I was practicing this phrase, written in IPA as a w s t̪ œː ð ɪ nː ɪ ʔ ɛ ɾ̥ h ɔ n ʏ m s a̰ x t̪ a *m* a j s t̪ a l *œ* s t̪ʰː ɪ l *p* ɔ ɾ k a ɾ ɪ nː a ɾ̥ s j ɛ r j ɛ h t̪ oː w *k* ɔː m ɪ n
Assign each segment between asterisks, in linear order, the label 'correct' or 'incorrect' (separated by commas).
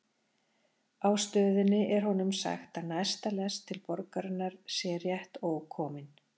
incorrect, incorrect, correct, incorrect